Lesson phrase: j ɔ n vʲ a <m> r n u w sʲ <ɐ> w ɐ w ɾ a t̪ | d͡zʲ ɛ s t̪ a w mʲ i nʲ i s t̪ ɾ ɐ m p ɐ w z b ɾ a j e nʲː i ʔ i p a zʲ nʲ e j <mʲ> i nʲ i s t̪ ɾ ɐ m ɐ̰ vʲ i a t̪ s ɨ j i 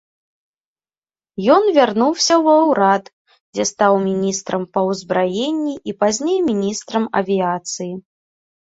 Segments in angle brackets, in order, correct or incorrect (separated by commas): incorrect, correct, correct